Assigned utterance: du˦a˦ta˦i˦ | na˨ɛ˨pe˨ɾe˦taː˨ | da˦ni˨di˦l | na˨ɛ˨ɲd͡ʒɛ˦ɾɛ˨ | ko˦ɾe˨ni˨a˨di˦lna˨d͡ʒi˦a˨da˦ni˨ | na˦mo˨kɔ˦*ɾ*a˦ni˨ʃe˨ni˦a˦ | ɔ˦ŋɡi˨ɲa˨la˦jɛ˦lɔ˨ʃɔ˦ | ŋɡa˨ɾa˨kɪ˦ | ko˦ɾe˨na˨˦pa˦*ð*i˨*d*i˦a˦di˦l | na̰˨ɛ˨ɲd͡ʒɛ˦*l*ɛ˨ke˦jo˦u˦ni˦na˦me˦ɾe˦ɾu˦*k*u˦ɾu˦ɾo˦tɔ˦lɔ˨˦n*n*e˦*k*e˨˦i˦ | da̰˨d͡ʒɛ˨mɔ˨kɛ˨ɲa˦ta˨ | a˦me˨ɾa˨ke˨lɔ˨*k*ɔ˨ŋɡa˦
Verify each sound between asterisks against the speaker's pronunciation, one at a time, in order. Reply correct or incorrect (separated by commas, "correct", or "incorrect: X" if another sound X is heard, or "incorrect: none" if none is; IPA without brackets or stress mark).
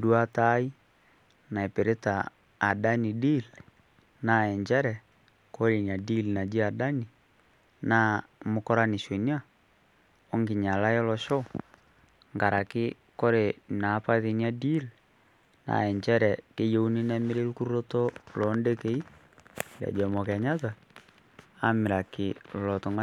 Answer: correct, correct, incorrect: n, incorrect: ɾ, correct, incorrect: d, correct, incorrect: t